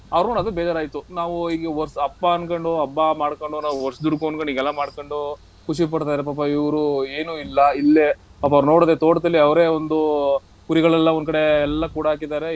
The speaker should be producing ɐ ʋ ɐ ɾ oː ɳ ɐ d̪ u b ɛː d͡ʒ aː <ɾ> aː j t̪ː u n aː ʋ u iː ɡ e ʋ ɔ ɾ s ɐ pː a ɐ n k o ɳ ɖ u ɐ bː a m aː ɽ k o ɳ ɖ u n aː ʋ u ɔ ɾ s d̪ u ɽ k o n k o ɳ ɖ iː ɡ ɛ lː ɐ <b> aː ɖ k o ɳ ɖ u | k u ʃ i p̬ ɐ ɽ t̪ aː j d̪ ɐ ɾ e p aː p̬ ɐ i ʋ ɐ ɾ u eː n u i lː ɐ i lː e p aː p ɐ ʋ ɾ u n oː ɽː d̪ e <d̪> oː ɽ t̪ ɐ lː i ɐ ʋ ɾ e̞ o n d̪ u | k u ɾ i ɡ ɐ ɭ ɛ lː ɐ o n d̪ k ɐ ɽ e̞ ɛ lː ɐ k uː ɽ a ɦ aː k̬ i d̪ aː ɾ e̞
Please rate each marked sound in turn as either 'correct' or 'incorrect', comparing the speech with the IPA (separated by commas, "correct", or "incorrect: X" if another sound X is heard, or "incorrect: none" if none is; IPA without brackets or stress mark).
correct, incorrect: m, incorrect: t̪